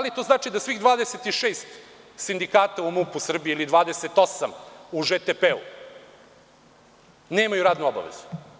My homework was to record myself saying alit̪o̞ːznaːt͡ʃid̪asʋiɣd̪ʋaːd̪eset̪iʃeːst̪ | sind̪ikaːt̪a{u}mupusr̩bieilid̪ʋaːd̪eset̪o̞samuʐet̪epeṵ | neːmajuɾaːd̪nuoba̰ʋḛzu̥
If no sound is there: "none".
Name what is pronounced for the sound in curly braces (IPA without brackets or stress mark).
u